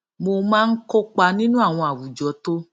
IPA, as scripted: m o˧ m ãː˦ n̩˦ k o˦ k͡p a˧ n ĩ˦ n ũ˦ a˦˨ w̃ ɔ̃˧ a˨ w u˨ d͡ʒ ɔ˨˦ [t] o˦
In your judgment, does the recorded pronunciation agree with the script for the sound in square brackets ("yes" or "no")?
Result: yes